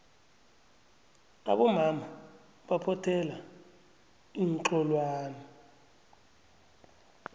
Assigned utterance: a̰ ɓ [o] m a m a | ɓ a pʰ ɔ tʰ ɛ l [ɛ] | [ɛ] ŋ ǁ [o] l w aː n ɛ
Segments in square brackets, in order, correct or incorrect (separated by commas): incorrect, incorrect, incorrect, incorrect